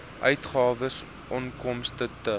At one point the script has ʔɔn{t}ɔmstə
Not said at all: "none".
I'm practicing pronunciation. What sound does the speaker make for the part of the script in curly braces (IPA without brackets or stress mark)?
k